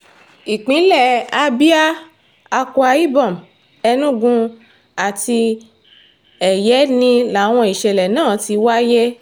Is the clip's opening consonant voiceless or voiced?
voiceless